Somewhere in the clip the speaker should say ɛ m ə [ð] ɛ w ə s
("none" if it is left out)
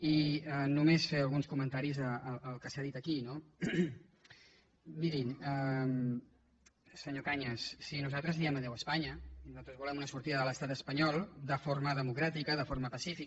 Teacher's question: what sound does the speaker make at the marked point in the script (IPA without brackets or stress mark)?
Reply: ð